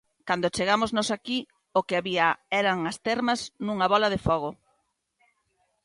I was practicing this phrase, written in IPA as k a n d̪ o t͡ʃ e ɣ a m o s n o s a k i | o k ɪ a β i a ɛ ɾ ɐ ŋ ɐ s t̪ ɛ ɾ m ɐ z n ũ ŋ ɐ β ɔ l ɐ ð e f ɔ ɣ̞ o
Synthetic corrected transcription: k a n d̪ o t͡ʃ e ɣ a m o z n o s a k i | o k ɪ a β i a ɛ ɾ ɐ ŋ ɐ s t̪ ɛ ɾ m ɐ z n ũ ŋ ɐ β ɔ l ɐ ð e f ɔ ɣ̞ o